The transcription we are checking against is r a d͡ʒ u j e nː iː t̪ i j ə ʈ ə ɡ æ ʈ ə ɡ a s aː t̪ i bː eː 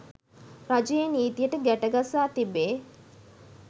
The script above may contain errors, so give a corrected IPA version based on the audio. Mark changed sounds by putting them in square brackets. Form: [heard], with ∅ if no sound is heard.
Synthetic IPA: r a d͡ʒ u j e [n] iː t̪ i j ə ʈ ə ɡ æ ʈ ə ɡ a s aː t̪ i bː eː

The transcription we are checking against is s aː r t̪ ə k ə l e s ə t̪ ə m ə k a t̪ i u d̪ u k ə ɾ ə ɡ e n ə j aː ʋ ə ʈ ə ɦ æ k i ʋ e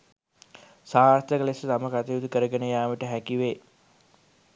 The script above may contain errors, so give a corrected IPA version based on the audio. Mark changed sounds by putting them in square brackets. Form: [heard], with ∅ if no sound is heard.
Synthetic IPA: s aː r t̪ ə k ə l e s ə t̪ [a] m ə k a t̪ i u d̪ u k ə ɾ ə ɡ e n ə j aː ʋ ə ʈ ə ɦ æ k i ʋ e

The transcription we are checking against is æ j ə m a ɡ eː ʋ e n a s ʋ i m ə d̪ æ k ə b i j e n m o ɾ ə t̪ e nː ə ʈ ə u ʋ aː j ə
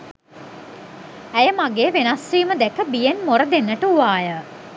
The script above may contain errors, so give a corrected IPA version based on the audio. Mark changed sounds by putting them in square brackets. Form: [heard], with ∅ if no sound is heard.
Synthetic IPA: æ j ə m a ɡ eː ʋ e n a s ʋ [iː] m ə d̪ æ k ə b i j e n m o ɾ ə [d̪] e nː ə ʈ ə u ʋ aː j ə

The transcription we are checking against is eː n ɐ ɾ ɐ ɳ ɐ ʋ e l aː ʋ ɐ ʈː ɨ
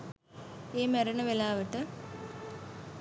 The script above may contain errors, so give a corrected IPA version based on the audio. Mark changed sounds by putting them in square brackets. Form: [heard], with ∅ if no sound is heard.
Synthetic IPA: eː [m] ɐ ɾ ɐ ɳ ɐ ʋ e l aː ʋ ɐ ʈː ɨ

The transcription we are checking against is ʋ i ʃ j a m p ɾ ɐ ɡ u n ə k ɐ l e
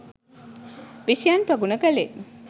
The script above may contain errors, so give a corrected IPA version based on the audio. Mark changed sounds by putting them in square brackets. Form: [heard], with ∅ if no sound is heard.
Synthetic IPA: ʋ i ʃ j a [n] p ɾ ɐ ɡ u n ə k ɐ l e

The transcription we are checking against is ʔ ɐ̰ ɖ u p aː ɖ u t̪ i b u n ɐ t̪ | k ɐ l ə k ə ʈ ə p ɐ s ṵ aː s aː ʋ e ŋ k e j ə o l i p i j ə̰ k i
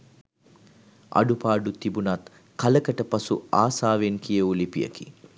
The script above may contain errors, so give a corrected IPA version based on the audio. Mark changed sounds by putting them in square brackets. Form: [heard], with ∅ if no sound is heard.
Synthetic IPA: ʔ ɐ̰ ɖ u p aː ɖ u t̪ i b u n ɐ t̪ | k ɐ l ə k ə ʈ ə p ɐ s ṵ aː s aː ʋ e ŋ k [i] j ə [u] l i p i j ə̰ k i

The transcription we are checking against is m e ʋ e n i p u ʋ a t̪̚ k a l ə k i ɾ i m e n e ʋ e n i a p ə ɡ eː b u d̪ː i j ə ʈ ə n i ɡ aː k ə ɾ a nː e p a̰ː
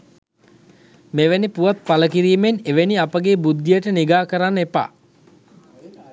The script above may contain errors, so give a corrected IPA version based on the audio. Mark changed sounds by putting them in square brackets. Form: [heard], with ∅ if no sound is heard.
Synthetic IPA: m e ʋ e n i p u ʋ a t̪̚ [p] a l ə k i ɾ [iː] m e n e ʋ e n i a p ə ɡ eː b u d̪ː i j ə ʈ ə n i ɡ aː k ə ɾ a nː e p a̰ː

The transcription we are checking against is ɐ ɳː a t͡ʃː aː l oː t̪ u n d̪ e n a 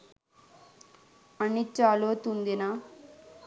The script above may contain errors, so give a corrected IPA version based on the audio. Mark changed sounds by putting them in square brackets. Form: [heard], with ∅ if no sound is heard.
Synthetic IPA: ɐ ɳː [i] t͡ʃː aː l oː t̪ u n d̪ [i] n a

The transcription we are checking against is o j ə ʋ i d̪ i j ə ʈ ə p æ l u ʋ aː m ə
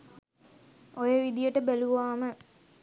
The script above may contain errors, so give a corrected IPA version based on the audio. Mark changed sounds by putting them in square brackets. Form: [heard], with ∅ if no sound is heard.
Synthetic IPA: o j ə ʋ i d̪ i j ə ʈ ə [b] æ l u ʋ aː m ə

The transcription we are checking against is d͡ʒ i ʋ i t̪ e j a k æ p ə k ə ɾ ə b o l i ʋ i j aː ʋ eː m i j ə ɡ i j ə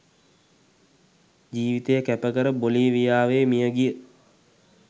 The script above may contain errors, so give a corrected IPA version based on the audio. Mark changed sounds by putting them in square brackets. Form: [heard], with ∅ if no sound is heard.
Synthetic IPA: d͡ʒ [iː] ʋ i t̪ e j [ə] k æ p ə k ə ɾ ə b o l i ʋ i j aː ʋ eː m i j ə ɡ i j ə

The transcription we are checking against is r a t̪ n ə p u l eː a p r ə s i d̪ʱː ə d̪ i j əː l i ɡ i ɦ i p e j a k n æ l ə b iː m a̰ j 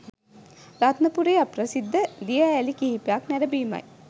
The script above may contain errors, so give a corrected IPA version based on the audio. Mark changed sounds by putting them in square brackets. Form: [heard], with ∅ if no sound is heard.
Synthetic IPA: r a t̪ n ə p u [ɾ] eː a p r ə s i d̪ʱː ə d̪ i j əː l i [k] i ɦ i p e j a k n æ [ɾ] ə b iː m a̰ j

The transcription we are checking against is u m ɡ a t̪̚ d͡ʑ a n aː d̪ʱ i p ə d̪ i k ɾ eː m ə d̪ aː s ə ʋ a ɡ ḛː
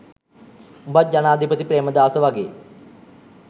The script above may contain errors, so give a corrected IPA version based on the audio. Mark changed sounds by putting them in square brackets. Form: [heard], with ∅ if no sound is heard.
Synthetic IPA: u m [b] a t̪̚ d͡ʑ a n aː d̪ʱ i p ə [t̪] i [p] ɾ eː m ə d̪ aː s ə ʋ a ɡ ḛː

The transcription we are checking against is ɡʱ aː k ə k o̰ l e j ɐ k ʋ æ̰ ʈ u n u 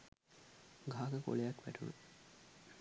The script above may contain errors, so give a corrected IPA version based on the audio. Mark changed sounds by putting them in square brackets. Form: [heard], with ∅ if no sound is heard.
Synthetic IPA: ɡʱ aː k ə k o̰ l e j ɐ k ʋ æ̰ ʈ u n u

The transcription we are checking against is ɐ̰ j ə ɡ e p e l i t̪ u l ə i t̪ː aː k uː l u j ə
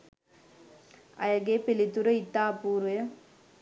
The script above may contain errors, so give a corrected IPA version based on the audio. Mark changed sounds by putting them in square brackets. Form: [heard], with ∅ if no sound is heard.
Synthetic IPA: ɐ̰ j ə ɡ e p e l i t̪ u [ɾ] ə i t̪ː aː [p] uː [ɾ] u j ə

